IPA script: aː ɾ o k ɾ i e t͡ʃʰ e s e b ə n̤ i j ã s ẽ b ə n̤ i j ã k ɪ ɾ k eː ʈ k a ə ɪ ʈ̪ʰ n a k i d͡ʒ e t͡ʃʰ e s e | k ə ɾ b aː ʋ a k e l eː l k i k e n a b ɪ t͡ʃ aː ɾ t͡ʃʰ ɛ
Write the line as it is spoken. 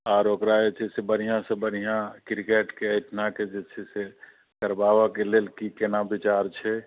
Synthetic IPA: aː ɾ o k ɾ a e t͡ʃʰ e s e b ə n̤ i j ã s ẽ b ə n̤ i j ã k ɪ ɾ k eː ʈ k e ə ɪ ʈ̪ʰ n a k e d͡ʒ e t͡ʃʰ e s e | k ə ɾ b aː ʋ a k e l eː l k i k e n a b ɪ t͡ʃ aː ɾ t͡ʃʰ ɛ

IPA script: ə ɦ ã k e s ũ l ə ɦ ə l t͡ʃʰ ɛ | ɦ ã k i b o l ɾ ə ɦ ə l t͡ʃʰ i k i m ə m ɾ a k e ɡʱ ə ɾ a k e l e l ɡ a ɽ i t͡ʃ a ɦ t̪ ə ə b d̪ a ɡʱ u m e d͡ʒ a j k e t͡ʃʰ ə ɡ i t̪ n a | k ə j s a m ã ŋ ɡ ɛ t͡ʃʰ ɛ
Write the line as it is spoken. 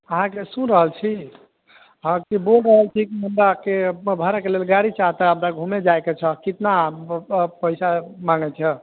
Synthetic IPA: ə ɦ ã k e s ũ ɾ ə ɦ ə l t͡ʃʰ i | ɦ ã k i b o l ɾ ə ɦ ə l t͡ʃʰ i k i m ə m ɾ a k e bʱ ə ɾ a k e l e l ɡ a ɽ i t͡ʃ a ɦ t̪ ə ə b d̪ a ɡʱ u m e d͡ʒ a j k e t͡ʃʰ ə k i t̪ n a | p ə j s a m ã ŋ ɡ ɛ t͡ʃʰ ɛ

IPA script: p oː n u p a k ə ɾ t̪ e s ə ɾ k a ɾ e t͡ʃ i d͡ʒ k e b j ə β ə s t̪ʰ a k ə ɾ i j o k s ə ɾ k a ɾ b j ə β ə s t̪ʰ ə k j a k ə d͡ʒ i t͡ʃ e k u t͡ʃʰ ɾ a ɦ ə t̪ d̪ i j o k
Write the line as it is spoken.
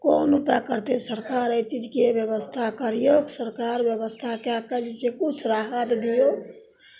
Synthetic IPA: k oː n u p a k ə ɾ t̪ e s ə ɾ k a ɾ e t͡ʃ i d͡ʒ k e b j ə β ə s t̪ʰ a k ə ɾ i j o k s ə ɾ k a ɾ b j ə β ə s t̪ʰ a k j a k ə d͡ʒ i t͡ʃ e k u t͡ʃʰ ɾ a ɦ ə t̪ d̪ i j o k

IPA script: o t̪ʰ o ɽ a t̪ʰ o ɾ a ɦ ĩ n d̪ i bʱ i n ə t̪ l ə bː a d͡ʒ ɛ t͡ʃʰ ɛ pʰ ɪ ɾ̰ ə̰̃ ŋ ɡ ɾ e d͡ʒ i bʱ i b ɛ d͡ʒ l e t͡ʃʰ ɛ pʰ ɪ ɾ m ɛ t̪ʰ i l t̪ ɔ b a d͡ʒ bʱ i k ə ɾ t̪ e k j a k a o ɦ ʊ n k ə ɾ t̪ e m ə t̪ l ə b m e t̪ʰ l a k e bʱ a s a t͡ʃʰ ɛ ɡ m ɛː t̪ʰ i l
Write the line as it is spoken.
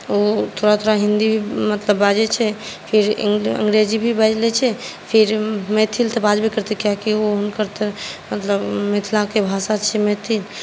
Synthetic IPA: o t̪ʰ o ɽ a t̪ʰ o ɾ a ɦ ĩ n d̪ i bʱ i m ə t̪ l ə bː a d͡ʒ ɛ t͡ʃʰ ɛ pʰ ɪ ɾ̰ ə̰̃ ŋ ɡ ɾ e d͡ʒ i bʱ i b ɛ d͡ʒ l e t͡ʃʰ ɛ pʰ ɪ ɾ m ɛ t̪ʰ i l t̪ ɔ b a d͡ʒ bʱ i k ə ɾ t̪ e k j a k i o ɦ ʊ n k ə ɾ t̪ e m ə t̪ l ə b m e t̪ʰ l a k e bʱ a s a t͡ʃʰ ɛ m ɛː t̪ʰ i l

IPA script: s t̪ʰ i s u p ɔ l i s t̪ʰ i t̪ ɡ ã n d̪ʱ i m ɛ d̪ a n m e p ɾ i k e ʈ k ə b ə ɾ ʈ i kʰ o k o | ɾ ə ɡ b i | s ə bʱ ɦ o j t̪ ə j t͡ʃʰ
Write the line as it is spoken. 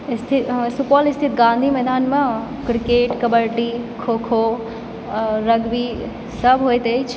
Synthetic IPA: s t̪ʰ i s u p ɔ l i s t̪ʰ i t̪ ɡ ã n d̪ʱ i m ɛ d̪ a n m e k ɾ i k e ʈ k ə b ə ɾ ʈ i kʰ o kʰ o | ɾ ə ɡ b i | s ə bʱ ɦ o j t̪ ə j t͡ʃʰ

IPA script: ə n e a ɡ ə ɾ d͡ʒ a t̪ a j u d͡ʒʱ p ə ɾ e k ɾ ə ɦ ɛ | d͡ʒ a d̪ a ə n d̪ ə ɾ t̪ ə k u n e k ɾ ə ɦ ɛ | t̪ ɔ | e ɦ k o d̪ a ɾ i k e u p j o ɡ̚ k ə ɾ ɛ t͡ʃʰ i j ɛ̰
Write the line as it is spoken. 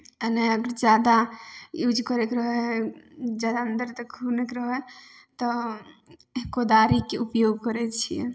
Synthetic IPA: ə n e ə ɡ ə ɾ d͡ʒ a d̪ a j u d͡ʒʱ k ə ɾ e k ɾ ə ɦ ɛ | d͡ʒ a d̪ a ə n d̪ ə ɾ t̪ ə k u n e k ɾ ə ɦ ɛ | t̪ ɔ | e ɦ k o d̪ a ɾ i k e u p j o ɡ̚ k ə ɾ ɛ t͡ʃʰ i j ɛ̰

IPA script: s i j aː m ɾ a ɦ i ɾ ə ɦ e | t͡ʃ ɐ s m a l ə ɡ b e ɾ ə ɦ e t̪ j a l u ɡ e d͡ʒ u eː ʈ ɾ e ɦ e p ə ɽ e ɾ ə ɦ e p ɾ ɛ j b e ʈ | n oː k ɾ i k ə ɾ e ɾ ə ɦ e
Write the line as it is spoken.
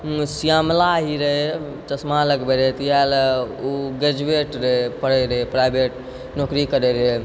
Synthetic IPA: s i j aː m l a ɦ i ɾ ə ɦ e | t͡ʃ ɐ s m a l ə ɡ b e ɾ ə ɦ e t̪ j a l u ɡ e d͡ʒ u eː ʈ ɾ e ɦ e p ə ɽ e ɾ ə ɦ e p ɾ a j b e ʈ | n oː k ɾ i k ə ɾ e ɾ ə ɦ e

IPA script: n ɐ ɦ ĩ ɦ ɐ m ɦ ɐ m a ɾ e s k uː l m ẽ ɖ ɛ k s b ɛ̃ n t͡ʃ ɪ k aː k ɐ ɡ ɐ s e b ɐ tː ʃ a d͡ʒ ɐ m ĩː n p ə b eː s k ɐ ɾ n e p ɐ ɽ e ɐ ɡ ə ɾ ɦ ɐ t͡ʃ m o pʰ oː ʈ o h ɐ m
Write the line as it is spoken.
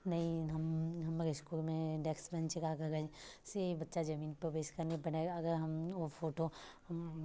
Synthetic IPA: n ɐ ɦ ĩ ɦ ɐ m ɦ ɐ m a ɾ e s k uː l m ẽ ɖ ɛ k s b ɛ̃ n t͡ʃ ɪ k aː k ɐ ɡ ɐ s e b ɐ tː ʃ a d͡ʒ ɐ m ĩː n p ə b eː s k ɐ ɾ n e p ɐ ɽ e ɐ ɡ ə ɾ ɦ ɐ m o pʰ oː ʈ o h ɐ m

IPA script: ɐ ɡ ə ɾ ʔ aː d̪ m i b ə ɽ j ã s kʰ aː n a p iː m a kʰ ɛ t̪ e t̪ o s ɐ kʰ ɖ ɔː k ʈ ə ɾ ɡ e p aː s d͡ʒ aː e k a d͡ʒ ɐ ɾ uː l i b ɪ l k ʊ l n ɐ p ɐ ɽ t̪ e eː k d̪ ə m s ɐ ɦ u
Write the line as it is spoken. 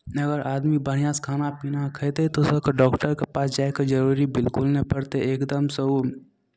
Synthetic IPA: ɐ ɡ ə ɾ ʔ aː d̪ m i b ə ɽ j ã s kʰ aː n a p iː n a kʰ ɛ t̪ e t̪ o s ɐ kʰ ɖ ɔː k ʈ ə ɾ k e p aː s d͡ʒ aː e k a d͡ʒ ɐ ɾ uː ɾ i b ɪ l k ʊ l n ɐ p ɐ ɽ t̪ e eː k d̪ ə m s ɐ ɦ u

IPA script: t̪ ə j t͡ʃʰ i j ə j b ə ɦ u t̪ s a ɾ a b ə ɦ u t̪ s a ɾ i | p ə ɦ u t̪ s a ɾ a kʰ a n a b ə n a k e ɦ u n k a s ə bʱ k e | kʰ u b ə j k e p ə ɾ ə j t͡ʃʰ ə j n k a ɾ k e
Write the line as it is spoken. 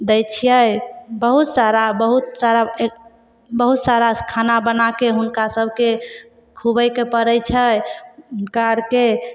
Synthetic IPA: d̪ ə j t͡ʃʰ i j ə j b ə ɦ u t̪ s a ɾ a b ə ɦ u t̪ s a ɾ a | b ə ɦ u t̪ s a ɾ a kʰ a n a b ə n a k e ɦ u n k a s ə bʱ k e | kʰ u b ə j k e p ə ɾ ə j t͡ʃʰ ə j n k a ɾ k e

